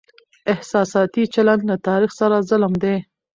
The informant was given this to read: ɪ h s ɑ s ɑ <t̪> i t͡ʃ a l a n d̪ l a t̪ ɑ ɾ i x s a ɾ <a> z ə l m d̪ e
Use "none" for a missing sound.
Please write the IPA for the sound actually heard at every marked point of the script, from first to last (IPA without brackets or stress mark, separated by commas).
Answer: t̪, a